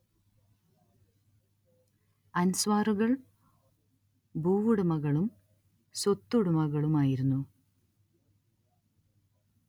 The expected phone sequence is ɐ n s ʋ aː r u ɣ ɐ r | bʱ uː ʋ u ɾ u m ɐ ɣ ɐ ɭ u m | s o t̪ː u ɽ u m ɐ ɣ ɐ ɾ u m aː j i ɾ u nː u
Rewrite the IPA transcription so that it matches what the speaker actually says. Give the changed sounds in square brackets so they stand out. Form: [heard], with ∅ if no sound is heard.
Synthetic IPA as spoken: ɐ n s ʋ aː r u ɣ ɐ [ɭ] | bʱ uː ʋ u [ɽ] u m ɐ ɣ ɐ ɭ u m | s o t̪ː u ɽ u m ɐ ɣ ɐ [ɭ] u m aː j i ɾ u nː u